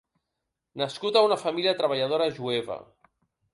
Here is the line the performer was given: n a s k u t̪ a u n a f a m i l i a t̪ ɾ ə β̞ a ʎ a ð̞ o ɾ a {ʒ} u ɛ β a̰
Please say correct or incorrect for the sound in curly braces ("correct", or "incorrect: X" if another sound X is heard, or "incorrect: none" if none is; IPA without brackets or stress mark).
correct